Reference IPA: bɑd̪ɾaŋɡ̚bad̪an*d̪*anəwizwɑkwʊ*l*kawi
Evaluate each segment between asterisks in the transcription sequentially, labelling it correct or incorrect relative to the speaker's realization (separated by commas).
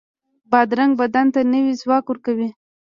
incorrect, incorrect